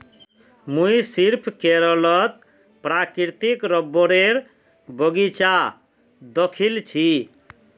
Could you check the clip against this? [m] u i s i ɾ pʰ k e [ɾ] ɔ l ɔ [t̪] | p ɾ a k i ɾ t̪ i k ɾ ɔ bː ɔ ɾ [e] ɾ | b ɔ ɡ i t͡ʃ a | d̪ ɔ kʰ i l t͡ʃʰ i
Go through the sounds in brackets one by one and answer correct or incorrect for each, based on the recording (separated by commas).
correct, correct, correct, correct